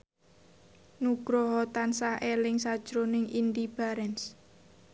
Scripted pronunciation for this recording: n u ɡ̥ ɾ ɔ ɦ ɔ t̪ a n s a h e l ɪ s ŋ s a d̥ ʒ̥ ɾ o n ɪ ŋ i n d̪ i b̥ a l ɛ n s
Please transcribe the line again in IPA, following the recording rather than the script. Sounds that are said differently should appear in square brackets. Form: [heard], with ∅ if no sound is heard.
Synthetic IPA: n u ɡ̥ ɾ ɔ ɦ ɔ t̪ a n s a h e l ɪ [∅] ŋ s a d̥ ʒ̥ ɾ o n ɪ ŋ i n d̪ i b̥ a [ɾ] ɛ n s